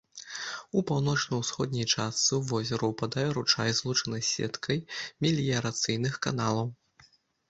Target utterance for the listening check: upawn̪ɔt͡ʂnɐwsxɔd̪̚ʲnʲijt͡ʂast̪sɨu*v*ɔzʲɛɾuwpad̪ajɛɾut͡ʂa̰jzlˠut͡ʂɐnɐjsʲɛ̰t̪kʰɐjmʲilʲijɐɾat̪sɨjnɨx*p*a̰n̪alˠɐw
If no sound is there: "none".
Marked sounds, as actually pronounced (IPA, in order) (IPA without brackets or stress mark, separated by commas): v, k